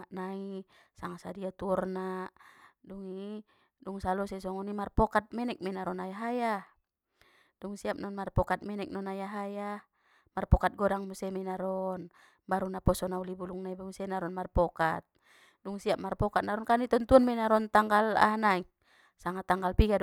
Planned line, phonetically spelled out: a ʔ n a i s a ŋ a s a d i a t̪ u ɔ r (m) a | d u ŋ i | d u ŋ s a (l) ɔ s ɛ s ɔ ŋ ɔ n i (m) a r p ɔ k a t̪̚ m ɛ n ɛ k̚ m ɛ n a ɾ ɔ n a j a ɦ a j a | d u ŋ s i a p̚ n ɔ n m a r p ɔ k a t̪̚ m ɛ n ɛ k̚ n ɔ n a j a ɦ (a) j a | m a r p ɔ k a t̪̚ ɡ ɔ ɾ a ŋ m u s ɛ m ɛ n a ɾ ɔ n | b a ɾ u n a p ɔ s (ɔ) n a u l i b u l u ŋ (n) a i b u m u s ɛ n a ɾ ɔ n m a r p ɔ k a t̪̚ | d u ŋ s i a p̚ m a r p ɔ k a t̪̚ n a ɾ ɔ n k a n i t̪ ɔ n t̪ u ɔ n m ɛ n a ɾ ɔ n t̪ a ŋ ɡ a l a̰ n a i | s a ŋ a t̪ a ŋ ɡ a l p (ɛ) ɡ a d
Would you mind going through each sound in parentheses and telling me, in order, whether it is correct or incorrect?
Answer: incorrect: n, correct, correct, correct, correct, correct, incorrect: i

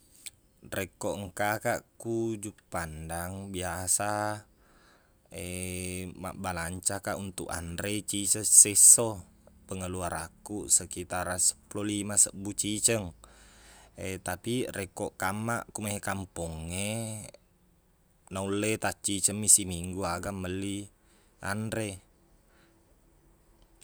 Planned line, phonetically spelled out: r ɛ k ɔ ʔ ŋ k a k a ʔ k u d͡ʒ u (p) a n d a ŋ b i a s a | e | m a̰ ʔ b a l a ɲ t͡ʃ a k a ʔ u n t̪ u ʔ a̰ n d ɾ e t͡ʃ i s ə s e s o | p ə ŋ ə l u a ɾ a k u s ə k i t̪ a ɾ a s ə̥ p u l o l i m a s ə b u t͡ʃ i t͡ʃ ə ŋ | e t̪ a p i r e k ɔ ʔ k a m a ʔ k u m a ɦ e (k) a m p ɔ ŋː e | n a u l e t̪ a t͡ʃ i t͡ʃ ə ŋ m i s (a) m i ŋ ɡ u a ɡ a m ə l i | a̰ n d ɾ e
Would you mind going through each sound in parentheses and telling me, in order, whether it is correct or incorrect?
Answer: correct, correct, incorrect: i

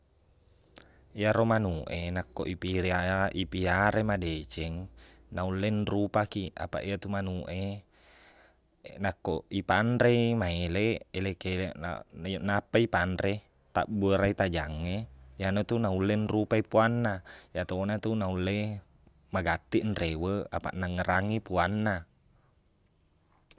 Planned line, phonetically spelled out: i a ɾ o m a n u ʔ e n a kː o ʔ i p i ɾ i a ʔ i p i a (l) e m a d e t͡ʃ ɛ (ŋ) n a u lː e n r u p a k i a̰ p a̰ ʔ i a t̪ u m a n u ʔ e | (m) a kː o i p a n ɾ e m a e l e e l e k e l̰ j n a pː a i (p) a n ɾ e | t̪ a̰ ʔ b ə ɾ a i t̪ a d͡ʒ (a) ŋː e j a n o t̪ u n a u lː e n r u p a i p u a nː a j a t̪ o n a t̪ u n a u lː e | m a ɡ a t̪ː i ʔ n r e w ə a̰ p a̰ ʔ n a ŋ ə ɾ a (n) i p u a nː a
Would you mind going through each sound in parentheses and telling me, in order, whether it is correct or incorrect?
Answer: incorrect: ɾ, correct, incorrect: n, correct, correct, incorrect: ŋ

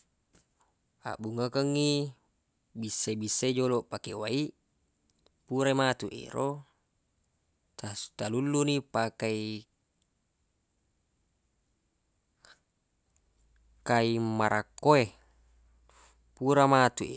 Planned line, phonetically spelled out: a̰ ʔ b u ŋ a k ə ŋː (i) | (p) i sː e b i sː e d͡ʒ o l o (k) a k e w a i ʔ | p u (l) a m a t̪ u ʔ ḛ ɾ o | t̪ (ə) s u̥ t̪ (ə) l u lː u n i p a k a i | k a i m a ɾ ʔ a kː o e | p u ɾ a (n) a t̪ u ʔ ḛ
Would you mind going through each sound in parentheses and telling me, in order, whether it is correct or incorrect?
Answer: correct, incorrect: b, incorrect: p, incorrect: ɾ, incorrect: a, incorrect: a, incorrect: m

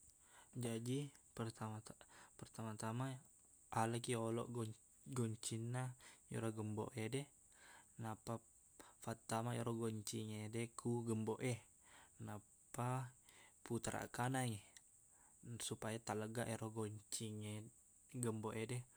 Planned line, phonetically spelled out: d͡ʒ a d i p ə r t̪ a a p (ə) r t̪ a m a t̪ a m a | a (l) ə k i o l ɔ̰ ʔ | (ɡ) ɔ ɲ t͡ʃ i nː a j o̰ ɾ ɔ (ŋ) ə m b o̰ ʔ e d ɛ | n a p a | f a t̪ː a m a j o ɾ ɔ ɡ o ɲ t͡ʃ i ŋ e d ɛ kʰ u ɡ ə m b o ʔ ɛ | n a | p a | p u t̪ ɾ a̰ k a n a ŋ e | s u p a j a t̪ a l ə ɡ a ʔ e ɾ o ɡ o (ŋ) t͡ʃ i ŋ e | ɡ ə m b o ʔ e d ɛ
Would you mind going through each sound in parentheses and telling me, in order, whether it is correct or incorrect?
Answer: correct, correct, correct, incorrect: ɡ, incorrect: ɲ

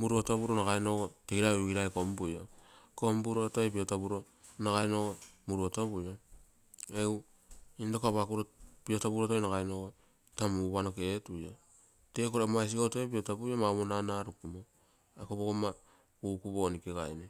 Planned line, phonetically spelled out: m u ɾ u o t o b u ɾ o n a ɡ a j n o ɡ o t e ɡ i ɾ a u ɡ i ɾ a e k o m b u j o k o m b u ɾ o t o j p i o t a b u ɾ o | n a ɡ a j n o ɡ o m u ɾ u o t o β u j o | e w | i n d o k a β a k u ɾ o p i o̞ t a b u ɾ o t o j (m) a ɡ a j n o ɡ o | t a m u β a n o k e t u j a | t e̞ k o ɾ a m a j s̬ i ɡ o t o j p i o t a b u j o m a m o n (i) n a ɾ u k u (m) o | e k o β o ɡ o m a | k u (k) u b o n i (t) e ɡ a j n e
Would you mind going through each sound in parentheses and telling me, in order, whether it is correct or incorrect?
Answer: incorrect: n, incorrect: a, correct, correct, incorrect: k

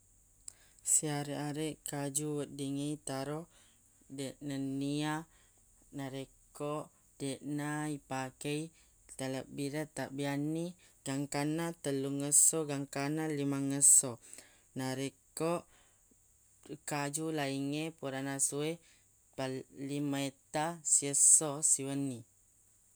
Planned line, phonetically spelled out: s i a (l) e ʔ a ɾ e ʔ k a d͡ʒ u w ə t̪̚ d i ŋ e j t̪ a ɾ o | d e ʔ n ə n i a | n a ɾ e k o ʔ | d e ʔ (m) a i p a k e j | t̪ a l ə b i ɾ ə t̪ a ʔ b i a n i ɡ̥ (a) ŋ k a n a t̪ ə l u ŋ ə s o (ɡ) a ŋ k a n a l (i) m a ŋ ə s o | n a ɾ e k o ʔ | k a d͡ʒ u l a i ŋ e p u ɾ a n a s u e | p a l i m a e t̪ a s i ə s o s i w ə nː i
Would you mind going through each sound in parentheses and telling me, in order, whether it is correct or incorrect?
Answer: incorrect: ɾ, incorrect: n, correct, correct, correct

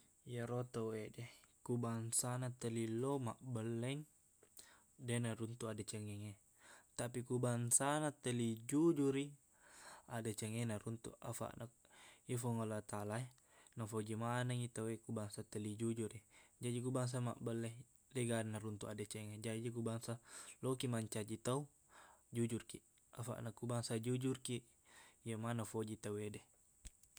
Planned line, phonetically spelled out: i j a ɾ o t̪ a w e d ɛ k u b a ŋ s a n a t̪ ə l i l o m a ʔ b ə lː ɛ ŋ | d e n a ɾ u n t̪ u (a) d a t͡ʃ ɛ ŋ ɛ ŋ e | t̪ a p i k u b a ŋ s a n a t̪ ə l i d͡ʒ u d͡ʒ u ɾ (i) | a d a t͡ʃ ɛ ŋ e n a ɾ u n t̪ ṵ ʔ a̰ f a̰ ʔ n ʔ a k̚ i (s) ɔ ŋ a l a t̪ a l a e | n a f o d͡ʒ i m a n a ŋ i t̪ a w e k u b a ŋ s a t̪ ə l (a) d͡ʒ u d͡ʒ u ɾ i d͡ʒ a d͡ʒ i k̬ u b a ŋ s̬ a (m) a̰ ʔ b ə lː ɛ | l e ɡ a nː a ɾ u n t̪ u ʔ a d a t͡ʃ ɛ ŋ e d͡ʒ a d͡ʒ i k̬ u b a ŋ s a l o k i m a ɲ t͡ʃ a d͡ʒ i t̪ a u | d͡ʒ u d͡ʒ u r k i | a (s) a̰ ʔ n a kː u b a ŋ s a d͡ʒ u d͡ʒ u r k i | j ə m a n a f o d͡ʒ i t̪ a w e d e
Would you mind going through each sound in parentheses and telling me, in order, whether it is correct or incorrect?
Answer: correct, correct, incorrect: f, incorrect: i, correct, incorrect: f

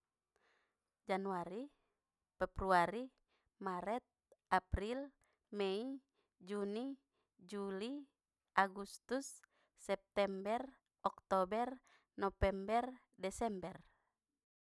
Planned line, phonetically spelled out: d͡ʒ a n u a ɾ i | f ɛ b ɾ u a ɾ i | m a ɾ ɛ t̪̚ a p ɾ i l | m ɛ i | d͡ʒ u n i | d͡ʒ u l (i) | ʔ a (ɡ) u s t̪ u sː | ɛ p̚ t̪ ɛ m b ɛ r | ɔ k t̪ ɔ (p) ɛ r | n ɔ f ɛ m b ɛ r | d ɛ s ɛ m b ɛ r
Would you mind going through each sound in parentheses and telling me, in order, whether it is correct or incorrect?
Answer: correct, correct, incorrect: b

